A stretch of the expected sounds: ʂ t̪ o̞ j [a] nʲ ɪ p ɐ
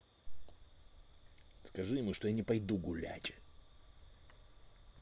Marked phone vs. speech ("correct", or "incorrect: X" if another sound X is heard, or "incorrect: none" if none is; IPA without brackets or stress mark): correct